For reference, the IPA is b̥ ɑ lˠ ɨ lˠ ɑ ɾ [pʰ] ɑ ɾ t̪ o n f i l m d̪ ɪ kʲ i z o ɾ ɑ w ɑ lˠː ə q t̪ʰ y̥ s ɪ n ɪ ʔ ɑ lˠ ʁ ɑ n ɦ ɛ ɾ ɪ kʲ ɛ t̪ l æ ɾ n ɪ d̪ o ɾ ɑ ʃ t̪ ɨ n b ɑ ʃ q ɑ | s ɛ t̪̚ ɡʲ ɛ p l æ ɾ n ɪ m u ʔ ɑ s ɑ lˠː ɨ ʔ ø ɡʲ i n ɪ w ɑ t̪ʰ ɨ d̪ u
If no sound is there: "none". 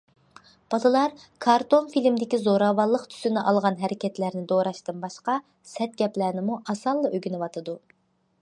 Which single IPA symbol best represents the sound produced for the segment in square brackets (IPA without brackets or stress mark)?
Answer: kʰ